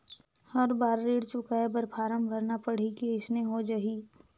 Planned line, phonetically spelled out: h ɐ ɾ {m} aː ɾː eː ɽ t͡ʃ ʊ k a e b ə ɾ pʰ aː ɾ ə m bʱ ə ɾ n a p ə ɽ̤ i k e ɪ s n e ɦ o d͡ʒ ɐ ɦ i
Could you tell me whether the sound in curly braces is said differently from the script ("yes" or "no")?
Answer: yes